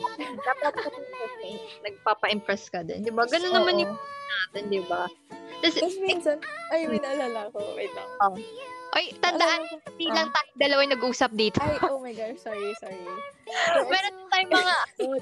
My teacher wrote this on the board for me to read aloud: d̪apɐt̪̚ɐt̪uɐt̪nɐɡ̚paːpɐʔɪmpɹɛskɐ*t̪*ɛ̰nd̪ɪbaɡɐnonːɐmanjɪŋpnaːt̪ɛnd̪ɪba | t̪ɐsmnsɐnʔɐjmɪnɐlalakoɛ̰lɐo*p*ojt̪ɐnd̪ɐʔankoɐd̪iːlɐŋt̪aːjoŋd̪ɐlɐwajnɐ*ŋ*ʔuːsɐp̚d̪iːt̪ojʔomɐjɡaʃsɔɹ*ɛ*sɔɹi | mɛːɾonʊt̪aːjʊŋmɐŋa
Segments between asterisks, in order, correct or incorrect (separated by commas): incorrect, incorrect, incorrect, incorrect